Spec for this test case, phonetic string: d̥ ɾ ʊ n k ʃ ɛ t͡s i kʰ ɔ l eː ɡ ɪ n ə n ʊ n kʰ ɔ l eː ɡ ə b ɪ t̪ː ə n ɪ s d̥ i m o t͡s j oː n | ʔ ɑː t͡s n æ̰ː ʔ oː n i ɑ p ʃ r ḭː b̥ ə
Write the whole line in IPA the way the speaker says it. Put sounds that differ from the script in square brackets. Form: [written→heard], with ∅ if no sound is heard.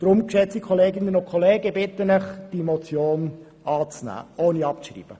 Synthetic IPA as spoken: d̥ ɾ ʊ [n→m] k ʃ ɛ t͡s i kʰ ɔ l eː ɡ ɪ n ə n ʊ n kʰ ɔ l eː ɡ ə b ɪ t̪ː ə n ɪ [s→χ] d̥ i m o t͡s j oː n | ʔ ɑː t͡s n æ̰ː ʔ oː n i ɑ p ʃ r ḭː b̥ ə